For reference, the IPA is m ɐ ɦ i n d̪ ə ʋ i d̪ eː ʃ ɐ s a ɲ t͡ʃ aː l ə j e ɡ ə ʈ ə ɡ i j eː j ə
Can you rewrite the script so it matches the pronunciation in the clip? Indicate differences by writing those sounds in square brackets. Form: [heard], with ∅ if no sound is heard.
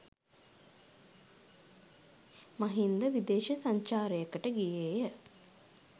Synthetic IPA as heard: m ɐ ɦ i n d̪ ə ʋ i d̪ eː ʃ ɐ s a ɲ t͡ʃ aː [ɾ] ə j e [k] ə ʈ ə ɡ i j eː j ə